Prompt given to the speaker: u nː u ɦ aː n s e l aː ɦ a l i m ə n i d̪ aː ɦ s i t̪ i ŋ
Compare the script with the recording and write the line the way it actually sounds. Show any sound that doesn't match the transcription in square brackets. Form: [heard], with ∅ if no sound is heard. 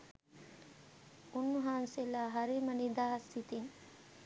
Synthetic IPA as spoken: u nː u ɦ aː n s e l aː ɦ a [ɾ] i m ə n i d̪ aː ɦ s i t̪ i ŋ